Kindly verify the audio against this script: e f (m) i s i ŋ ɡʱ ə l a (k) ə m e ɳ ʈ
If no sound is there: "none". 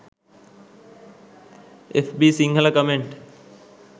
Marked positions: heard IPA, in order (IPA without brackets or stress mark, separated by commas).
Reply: b, k